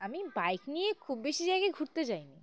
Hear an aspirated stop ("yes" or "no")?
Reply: yes